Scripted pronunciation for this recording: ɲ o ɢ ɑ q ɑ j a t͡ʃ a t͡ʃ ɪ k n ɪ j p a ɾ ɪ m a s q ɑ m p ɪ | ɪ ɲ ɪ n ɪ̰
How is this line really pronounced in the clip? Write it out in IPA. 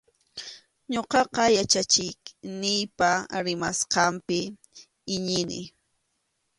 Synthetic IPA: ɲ o q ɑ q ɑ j a t͡ʃ a t͡ʃ ɪ k n ɪ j p a ɾ ɪ m a s q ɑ m p ɪ | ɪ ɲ ɪ n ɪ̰

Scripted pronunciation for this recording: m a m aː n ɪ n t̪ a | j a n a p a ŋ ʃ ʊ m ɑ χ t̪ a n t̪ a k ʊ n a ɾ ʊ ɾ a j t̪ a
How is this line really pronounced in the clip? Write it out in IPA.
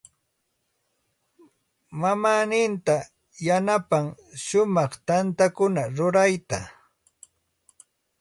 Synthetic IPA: m a m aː n ɪ n t̪ a | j a n a p a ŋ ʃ ʊ m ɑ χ t̪ a n t̪ a k ʊ n a ɾ ʊ ɾ a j t̪ a

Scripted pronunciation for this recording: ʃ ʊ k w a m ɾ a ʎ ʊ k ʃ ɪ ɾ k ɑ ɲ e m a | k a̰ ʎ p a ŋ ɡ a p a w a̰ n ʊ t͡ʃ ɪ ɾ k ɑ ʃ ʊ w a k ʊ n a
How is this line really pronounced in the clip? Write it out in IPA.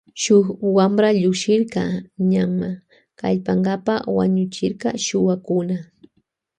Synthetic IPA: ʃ ʊ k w a m ɾ a ʎ ʊ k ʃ ɪ ɾ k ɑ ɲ a m a | k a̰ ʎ p a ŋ ɡ a p a w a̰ ɲ ʊ t͡ʃ ɪ ɾ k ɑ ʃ ʊ w a k ʊ n a

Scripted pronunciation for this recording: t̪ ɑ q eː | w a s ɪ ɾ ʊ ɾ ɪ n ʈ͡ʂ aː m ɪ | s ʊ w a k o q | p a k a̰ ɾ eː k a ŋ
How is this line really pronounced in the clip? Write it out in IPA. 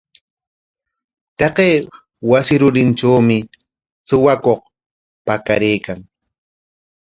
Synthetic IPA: t̪ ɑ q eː | w a s ɪ ɾ ʊ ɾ ɪ n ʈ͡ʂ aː m ɪ | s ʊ w a k o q | p a k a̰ ɾ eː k a ŋ

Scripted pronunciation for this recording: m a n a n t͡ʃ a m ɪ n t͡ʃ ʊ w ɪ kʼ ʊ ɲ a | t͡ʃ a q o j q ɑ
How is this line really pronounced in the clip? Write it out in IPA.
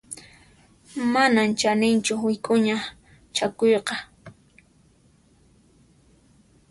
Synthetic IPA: m a n a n t͡ʃ a n ɪ n t͡ʃ ʊ w ɪ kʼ ʊ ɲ a | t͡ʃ a k o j q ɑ

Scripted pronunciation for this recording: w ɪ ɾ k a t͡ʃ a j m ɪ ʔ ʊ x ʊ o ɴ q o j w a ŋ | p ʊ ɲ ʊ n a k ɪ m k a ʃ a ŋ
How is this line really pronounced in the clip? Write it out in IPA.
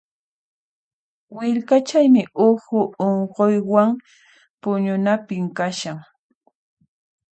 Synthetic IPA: w ɪ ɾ k a t͡ʃ a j m ɪ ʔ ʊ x ʊ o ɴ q o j w a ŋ | p ʊ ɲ ʊ n a p ɪ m k a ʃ a ŋ

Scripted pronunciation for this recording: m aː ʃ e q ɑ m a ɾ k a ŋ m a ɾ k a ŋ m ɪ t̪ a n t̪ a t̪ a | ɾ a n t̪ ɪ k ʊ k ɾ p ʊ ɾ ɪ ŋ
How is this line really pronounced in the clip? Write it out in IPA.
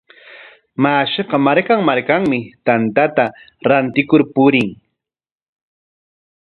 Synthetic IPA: m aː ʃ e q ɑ m a ɾ k a ŋ m a ɾ k a ŋ m ɪ t̪ a n t̪ a t̪ a | ɾ a n t̪ ɪ k ʊ ɾ p ʊ ɾ ɪ ŋ

